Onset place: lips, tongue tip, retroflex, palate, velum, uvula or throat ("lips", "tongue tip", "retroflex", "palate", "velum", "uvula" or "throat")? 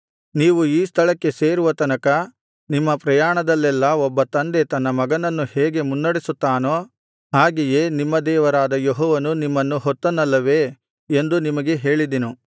tongue tip